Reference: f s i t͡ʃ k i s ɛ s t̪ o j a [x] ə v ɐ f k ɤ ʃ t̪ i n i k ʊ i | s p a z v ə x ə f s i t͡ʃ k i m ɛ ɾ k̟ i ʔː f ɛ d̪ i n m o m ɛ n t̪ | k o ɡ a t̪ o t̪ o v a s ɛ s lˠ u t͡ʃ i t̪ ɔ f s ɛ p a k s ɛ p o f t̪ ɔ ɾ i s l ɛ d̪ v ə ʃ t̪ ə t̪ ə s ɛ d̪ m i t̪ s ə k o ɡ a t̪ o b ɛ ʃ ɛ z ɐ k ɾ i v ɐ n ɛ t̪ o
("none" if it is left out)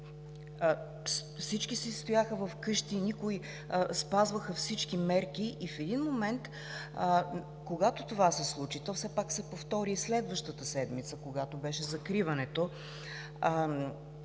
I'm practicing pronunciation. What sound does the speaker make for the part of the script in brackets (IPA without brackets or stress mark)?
x